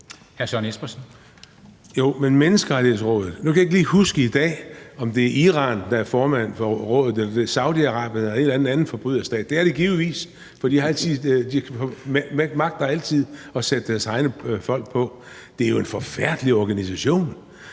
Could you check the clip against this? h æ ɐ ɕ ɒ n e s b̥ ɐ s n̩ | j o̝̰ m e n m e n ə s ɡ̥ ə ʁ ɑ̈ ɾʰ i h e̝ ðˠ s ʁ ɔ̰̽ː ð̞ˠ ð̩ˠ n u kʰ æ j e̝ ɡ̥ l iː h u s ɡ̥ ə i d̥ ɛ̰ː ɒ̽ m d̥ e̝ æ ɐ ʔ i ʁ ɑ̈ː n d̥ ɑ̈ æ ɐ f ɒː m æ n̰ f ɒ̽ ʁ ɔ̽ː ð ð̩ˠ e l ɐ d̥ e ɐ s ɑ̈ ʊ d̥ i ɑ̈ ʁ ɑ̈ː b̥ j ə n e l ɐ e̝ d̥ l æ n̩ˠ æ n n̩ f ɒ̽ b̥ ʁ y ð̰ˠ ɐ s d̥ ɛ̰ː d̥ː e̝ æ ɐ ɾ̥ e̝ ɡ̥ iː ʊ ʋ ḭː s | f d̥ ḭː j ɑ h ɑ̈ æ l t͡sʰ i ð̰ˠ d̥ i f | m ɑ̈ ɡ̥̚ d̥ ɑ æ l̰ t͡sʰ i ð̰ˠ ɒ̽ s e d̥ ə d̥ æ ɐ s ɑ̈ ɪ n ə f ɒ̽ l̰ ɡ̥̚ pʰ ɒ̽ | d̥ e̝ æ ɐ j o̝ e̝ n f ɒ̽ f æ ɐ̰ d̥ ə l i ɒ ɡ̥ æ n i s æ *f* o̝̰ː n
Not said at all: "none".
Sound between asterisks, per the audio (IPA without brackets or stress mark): ɕ